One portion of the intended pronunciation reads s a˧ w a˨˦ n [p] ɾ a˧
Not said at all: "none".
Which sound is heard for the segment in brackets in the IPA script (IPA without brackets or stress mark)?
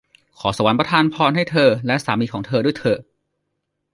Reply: p